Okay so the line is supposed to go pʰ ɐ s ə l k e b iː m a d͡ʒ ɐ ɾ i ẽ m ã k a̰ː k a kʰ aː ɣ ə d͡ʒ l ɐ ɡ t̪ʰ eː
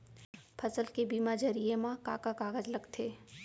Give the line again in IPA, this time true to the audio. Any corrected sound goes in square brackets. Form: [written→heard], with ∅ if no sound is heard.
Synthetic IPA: pʰ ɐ s ə l k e b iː m a d͡ʒ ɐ ɾ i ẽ m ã k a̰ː k a [kʰ→k] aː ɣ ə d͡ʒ l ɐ ɡ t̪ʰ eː